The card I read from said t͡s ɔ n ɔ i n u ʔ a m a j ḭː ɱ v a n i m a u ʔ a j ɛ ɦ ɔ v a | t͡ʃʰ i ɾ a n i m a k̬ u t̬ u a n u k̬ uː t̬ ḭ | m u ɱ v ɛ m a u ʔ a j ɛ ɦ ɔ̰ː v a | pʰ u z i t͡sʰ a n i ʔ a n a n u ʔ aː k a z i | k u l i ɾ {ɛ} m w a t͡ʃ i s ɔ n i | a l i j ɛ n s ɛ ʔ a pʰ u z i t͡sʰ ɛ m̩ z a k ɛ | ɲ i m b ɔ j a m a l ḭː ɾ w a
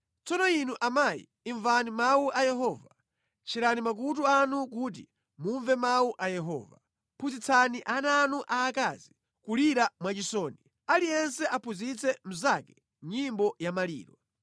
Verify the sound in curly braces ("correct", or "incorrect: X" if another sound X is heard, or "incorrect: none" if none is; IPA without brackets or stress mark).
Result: incorrect: a